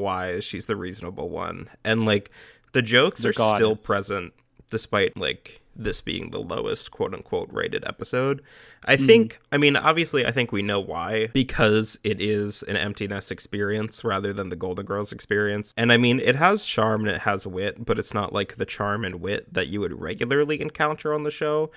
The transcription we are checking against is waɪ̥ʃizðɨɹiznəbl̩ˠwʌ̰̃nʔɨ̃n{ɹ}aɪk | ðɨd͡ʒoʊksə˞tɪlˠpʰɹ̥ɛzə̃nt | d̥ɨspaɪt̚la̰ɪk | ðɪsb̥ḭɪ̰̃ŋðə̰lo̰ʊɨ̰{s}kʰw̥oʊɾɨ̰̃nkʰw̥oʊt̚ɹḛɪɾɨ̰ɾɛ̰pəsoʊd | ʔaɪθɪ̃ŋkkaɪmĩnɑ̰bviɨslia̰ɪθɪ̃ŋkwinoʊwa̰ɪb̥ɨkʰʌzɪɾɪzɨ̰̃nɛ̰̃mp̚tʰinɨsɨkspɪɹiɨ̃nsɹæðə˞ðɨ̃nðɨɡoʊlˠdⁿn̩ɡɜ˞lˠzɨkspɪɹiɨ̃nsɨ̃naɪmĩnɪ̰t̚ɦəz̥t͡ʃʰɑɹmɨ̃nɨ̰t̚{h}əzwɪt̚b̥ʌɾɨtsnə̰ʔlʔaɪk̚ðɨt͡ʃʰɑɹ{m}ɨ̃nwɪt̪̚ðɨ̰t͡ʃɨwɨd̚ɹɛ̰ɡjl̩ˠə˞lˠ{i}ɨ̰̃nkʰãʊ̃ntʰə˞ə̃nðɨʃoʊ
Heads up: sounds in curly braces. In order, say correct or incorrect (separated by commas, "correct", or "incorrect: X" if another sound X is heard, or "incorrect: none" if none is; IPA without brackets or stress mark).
incorrect: l, correct, correct, correct, correct